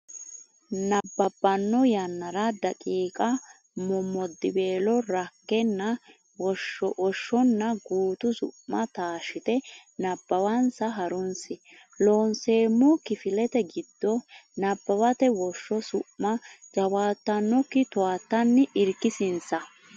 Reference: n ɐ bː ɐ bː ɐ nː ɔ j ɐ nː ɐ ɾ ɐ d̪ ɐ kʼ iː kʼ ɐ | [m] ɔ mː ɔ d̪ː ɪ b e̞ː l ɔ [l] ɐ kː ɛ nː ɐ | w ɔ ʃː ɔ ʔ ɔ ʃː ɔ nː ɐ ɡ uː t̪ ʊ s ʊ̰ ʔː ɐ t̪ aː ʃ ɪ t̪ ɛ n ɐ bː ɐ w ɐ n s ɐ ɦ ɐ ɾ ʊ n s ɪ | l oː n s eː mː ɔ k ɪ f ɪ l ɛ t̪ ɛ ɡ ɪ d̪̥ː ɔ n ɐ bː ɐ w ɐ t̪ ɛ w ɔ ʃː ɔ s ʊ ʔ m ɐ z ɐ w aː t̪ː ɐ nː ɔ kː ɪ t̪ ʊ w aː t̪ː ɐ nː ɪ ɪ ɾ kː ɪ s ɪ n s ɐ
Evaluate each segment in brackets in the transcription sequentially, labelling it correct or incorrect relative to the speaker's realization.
correct, incorrect

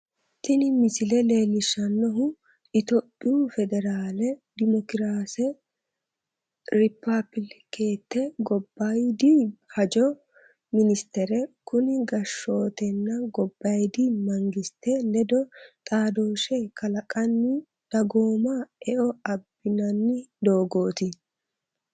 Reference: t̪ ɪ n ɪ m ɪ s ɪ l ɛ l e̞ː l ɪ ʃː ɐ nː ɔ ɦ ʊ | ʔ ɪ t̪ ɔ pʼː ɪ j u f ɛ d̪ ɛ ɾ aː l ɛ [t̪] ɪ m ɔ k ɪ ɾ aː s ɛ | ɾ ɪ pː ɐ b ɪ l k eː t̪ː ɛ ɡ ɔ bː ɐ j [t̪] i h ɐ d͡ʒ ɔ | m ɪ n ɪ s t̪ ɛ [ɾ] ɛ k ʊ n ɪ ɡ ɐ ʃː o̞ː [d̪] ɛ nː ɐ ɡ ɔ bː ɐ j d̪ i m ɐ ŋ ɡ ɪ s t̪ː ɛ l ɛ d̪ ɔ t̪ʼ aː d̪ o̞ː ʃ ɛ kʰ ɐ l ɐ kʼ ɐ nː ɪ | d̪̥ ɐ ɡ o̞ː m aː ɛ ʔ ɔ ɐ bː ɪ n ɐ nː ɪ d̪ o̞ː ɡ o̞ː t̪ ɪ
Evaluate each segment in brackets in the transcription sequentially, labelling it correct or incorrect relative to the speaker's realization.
incorrect, incorrect, correct, incorrect

